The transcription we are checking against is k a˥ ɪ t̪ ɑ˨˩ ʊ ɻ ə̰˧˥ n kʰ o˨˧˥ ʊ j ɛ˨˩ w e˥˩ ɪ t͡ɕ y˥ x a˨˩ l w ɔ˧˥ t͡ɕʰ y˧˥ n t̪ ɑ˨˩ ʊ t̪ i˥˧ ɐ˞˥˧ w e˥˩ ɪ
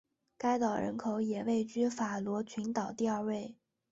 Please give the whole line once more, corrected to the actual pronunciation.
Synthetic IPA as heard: k a˥ ɪ t̪ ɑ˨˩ ʊ ɻ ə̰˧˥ n kʰ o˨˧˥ ʊ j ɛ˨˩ w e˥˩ ɪ t͡ɕ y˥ f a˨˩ l w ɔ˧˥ t͡ɕʰ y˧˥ n t̪ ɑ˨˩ ʊ t̪ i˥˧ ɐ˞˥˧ w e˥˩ ɪ